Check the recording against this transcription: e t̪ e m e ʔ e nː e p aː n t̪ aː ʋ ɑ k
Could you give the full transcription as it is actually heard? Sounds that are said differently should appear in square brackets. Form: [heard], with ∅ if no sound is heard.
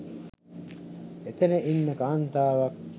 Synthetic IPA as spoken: e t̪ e [n] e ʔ [i] nː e [k] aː n t̪ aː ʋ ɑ k